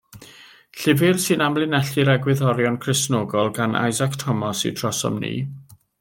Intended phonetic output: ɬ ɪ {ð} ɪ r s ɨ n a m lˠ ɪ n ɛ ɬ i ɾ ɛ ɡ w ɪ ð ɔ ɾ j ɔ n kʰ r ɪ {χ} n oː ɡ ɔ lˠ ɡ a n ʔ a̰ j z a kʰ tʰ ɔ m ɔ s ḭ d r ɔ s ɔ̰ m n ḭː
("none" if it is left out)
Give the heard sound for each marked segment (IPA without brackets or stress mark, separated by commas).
v, s